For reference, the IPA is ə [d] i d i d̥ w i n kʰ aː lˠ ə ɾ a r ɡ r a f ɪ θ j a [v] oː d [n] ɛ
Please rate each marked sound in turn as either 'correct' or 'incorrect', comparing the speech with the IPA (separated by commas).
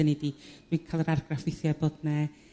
incorrect, incorrect, correct